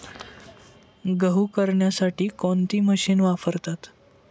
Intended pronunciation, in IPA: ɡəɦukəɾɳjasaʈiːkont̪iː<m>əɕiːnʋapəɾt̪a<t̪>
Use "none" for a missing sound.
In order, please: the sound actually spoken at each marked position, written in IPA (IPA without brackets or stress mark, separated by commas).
m, t̪